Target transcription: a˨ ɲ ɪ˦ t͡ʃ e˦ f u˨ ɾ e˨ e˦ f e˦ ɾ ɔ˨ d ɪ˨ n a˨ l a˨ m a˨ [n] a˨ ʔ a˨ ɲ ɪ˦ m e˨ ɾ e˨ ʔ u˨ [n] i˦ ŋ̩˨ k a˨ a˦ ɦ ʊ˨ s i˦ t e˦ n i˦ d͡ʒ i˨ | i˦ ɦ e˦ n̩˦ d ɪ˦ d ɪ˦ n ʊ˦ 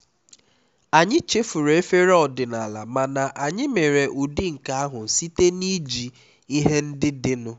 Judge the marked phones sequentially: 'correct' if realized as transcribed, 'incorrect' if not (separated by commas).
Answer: correct, incorrect